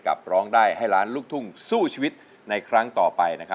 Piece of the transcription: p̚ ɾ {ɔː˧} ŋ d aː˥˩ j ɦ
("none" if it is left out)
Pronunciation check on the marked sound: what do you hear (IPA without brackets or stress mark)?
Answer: ɔː˦˥